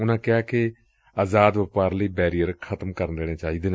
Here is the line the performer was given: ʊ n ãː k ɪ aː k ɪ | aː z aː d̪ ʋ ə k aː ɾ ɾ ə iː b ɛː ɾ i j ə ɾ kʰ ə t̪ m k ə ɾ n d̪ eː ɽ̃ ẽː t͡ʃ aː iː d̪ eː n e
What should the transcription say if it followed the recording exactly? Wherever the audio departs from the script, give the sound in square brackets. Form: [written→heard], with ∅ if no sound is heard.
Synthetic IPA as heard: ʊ n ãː k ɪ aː k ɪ | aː z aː d̪ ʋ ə [k→p] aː ɾ [ɾ→l] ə iː b ɛː ɾ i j ə ɾ kʰ ə t̪ m k ə ɾ n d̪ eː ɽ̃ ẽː t͡ʃ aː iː d̪ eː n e

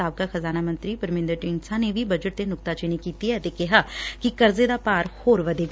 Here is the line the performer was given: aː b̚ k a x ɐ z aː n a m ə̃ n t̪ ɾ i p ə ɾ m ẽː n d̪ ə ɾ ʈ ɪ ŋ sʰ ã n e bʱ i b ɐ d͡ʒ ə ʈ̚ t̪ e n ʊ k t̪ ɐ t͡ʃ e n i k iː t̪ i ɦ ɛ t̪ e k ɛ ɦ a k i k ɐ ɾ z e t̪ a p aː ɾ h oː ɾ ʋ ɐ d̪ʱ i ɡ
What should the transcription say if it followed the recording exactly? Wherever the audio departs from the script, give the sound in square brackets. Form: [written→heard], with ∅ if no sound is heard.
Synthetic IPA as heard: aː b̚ k a x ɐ z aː n a m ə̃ n t̪ ɾ i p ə ɾ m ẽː n d̪ ə ɾ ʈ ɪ ŋ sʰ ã n e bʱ i b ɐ d͡ʒ ə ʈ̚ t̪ e n ʊ k t̪ [ɐ→a] t͡ʃ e n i k iː t̪ i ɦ ɛ t̪ e k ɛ ɦ a k i k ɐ ɾ z e [t̪→d̪] a p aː ɾ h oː ɾ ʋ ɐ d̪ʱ [i→e] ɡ

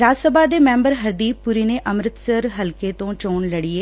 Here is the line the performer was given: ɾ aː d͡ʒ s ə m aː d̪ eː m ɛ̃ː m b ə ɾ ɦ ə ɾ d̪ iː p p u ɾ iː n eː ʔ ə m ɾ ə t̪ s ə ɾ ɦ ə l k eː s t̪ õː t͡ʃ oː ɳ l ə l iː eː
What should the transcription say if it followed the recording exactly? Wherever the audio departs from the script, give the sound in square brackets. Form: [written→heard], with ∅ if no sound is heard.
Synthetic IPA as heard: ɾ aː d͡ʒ s ə [m→b] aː d̪ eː m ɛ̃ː m b ə ɾ ɦ ə ɾ d̪ iː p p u ɾ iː n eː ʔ ə m ɾ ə t̪ s ə ɾ ɦ ə l k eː [s→∅] t̪ õː t͡ʃ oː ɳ l ə [l→ɽ] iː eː

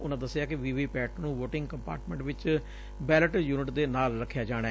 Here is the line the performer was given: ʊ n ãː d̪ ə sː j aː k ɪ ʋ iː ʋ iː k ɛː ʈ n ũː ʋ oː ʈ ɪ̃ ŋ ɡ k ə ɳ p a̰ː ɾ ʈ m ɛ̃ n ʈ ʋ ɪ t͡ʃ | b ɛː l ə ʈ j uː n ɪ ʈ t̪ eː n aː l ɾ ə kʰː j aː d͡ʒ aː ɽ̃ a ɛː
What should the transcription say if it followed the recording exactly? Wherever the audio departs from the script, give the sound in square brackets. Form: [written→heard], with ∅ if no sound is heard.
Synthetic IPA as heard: ʊ n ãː d̪ ə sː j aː k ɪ ʋ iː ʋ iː [k→p] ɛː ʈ n ũː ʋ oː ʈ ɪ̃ ŋ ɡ k ə [ɳ→m] p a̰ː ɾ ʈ m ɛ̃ [n→ɳ] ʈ ʋ ɪ t͡ʃ | b ɛː l ə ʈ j uː n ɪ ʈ [t̪→d̪] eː n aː l ɾ ə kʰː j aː d͡ʒ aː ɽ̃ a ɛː

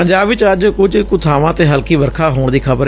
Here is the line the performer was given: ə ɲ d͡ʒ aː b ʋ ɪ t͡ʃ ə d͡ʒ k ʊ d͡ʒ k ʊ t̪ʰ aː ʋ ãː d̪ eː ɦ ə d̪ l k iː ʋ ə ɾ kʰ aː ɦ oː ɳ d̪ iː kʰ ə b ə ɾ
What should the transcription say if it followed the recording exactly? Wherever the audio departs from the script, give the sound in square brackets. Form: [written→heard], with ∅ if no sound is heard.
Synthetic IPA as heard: ə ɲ d͡ʒ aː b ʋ ɪ t͡ʃ ə d͡ʒ k ʊ d͡ʒ k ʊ t̪ʰ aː ʋ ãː [d̪→t̪] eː ɦ ə [d̪→∅] l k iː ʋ ə ɾ kʰ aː ɦ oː ɳ d̪ iː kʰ ə b ə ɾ

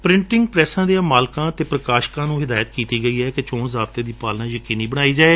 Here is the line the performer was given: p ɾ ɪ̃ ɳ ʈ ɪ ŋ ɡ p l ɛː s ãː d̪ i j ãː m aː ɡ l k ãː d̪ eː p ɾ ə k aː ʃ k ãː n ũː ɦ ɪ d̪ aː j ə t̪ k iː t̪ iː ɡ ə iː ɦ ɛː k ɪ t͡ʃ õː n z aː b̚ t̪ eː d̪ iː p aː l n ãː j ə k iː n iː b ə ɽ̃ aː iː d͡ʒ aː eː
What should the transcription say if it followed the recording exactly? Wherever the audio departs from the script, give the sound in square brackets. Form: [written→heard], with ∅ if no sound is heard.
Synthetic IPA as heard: p ɾ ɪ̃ ɳ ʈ ɪ ŋ ɡ p [l→ɾ] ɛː s ãː d̪ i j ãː m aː [ɡ→∅] l k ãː [d̪→t̪] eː p ɾ ə k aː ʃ k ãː n ũː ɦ ɪ d̪ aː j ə t̪ k iː t̪ iː ɡ ə iː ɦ ɛː k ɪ t͡ʃ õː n z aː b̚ t̪ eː d̪ iː p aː l n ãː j ə k iː n iː b ə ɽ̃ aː iː d͡ʒ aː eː

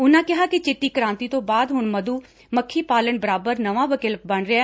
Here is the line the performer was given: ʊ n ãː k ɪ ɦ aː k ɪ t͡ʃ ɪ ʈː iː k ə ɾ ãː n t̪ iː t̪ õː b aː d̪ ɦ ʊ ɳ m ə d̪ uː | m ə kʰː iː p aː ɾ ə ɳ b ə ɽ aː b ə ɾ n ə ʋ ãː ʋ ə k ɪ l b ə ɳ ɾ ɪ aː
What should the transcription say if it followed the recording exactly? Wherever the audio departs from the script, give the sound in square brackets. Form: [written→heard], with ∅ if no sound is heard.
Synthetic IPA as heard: ʊ n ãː k ɪ ɦ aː k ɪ t͡ʃ ɪ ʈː iː k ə ɾ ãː n t̪ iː t̪ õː b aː d̪ ɦ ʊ ɳ m ə d̪ uː | m ə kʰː iː p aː [ɾ→l] ə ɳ b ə [ɽ→ɾ] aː b ə ɾ n ə ʋ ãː ʋ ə k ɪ l b ə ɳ ɾ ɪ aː

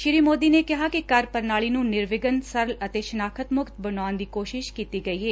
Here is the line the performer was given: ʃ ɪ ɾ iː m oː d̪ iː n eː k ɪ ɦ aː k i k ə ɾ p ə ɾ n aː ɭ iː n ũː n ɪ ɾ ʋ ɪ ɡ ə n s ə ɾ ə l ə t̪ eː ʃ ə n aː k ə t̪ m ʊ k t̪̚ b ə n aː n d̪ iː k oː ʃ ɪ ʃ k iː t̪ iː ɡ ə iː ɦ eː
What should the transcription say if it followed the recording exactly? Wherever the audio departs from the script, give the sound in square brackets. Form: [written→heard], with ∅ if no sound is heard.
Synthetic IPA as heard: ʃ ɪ ɾ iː m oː d̪ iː n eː k ɪ ɦ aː k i k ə ɾ p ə ɾ n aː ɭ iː n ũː n ɪ ɾ ʋ ɪ ɡ ə n s ə ɾ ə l ə t̪ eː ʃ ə n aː [k→kʰ] ə t̪ m ʊ k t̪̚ b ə n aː n d̪ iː k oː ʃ ɪ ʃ k iː t̪ iː ɡ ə iː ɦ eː

